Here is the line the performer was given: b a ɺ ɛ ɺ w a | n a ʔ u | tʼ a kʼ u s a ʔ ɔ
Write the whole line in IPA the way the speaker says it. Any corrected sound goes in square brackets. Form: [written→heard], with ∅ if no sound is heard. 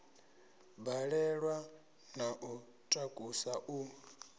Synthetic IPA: b a ɺ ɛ ɺ w a | n a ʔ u | tʼ a kʼ u s a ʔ [ɔ→u]